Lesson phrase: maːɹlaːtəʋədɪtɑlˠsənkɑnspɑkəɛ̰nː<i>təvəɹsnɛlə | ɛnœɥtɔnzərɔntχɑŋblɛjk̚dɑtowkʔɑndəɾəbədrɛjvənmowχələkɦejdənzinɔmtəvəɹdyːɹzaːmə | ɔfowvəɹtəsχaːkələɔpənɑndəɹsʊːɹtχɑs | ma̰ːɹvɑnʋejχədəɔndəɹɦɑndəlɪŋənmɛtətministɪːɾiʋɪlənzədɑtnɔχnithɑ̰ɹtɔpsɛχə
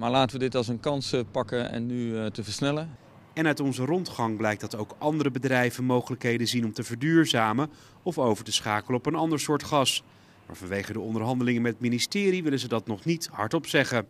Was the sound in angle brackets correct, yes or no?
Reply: no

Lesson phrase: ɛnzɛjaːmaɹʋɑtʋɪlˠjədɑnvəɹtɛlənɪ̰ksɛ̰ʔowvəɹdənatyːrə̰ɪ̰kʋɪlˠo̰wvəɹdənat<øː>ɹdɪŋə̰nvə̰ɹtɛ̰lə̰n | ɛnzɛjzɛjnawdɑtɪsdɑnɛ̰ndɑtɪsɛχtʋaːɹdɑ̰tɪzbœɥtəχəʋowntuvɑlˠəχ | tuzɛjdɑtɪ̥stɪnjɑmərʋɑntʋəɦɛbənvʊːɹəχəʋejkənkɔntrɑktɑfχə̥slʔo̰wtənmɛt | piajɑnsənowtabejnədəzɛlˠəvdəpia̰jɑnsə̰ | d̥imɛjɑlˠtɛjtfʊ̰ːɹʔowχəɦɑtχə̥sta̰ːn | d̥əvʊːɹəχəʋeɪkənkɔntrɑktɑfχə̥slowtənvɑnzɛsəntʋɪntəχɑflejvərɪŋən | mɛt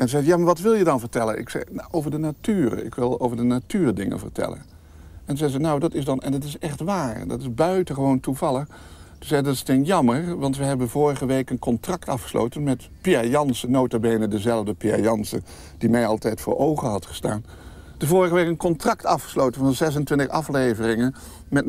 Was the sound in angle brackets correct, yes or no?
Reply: no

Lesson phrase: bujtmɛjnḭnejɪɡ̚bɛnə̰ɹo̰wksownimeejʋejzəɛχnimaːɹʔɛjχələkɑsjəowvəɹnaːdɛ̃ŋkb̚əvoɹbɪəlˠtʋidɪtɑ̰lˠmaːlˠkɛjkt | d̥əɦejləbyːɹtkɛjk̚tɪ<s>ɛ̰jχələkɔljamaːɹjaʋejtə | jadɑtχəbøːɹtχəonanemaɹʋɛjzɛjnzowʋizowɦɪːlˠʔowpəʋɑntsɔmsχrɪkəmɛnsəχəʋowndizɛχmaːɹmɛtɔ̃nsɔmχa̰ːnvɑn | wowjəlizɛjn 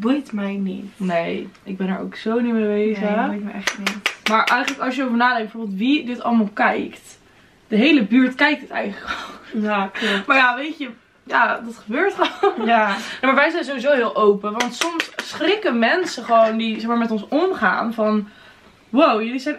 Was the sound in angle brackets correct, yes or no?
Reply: no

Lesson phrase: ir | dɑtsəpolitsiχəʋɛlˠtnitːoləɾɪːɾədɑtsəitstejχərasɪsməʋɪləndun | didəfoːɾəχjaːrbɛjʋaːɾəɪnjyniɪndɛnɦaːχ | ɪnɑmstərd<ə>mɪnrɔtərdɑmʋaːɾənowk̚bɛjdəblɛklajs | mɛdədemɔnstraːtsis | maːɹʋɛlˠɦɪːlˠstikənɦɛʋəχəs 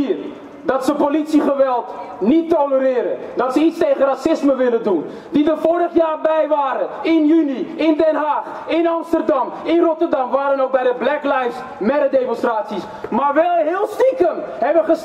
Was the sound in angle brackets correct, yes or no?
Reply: no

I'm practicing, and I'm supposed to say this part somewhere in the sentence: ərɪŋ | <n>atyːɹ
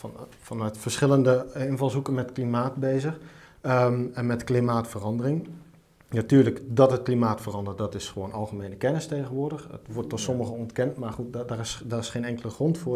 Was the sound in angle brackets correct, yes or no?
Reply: yes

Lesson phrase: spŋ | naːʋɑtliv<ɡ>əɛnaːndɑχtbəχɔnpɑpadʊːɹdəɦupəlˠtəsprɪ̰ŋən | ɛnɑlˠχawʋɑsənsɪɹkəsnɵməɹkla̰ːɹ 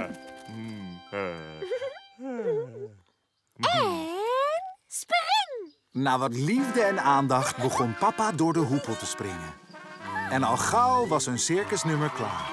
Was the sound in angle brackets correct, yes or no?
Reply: no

